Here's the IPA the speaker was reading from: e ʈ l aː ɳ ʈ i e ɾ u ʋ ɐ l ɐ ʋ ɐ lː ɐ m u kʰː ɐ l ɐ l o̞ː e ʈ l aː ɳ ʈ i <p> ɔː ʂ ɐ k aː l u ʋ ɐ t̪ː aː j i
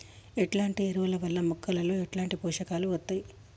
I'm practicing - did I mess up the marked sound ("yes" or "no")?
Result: no